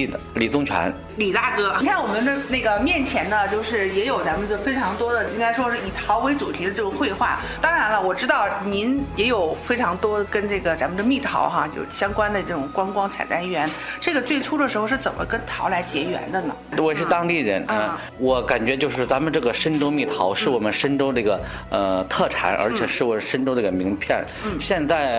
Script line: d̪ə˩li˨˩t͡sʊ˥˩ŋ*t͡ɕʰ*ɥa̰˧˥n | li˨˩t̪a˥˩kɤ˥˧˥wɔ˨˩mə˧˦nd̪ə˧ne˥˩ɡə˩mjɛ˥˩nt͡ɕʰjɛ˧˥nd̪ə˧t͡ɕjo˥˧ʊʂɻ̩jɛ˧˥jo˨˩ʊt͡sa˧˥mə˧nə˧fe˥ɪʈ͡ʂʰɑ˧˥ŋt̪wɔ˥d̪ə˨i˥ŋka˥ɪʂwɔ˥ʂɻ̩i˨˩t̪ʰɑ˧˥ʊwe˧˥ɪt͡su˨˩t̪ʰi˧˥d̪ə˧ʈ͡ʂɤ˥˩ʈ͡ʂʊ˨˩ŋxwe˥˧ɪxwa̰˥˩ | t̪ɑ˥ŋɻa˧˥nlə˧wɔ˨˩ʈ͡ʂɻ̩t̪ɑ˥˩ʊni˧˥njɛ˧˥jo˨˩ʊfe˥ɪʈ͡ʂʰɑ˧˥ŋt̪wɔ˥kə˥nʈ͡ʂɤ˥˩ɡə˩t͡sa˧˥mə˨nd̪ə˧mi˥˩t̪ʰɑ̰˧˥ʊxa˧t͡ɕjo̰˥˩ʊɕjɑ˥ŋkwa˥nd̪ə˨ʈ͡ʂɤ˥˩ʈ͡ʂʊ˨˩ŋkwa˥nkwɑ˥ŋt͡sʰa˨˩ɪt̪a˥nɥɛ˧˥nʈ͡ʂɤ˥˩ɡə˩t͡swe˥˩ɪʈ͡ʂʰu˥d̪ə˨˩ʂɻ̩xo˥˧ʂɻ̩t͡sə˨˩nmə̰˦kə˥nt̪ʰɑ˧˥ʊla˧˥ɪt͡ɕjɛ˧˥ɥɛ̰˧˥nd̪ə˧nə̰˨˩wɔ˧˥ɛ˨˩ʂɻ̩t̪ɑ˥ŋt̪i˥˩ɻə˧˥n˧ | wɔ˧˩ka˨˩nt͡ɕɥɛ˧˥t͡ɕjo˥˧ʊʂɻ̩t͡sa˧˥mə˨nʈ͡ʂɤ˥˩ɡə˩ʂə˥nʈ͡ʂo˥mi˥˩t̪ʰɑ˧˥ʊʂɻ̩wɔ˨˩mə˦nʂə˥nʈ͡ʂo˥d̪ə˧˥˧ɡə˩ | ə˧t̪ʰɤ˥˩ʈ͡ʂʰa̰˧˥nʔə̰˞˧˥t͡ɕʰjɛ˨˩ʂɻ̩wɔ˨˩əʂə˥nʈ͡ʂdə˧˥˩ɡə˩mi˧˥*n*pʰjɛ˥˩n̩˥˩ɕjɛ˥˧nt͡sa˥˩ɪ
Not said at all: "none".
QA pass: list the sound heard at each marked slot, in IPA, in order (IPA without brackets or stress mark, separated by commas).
t͡ɕʰ, ŋ